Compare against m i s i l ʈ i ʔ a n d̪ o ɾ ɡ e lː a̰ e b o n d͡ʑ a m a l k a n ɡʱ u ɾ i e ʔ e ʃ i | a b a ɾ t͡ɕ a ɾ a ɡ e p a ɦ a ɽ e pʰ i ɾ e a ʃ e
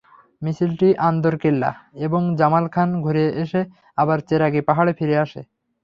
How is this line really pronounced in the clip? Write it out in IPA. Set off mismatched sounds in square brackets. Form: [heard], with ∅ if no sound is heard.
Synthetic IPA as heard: m i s i l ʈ i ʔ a n d̪ o ɾ [k] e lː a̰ e b o [ŋ] d͡ʑ a m a l [kʰ] a n ɡʱ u ɾ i e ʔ e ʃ [e] | a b a ɾ t͡ɕ [e] ɾ a ɡ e p a ɦ a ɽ e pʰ i ɾ e a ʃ e